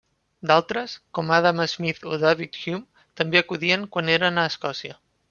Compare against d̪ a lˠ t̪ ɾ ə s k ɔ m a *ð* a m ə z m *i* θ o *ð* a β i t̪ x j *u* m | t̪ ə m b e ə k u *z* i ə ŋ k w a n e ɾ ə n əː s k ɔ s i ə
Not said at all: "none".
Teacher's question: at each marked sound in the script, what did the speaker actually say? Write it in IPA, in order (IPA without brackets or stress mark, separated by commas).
ð, i, ð, u, ð